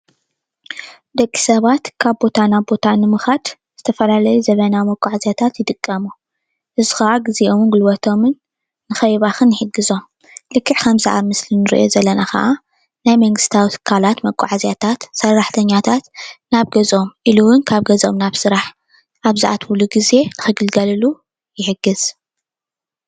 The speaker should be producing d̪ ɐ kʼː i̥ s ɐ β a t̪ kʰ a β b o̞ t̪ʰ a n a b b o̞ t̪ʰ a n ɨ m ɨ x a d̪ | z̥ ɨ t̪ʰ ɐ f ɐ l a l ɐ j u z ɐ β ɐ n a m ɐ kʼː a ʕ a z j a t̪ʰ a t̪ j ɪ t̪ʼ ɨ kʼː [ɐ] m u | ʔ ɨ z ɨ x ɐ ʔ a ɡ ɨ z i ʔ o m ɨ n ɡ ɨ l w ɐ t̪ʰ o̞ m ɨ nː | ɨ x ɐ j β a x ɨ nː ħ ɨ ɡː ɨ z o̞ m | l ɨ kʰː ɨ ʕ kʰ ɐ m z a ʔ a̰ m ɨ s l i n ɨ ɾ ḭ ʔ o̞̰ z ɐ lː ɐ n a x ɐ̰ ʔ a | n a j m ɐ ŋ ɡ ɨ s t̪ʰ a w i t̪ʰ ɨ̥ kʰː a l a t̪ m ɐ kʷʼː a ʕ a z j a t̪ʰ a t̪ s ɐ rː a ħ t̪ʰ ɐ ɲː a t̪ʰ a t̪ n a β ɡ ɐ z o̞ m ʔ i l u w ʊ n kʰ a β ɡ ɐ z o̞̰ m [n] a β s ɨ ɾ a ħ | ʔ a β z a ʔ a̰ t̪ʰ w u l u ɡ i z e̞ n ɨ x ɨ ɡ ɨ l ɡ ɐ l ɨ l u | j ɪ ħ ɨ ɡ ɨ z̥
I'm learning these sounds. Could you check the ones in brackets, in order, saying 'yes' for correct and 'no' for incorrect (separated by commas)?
yes, yes